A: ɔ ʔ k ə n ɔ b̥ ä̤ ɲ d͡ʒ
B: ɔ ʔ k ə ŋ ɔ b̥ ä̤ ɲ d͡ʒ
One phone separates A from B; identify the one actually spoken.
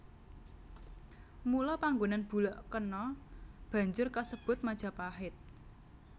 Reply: A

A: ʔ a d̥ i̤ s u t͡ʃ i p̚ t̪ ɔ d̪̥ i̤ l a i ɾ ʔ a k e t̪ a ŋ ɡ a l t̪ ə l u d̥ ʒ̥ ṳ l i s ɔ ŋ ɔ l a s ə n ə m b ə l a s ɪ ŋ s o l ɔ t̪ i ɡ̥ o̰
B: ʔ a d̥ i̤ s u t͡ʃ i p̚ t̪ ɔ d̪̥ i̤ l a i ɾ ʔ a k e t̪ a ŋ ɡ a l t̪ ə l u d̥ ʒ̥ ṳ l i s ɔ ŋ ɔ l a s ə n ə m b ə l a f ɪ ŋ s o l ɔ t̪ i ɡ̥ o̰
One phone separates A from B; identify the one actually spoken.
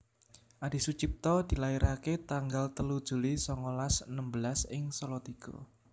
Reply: A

